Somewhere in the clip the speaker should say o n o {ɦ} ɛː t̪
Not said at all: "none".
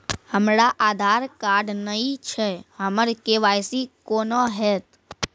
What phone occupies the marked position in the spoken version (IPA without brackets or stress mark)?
ɦ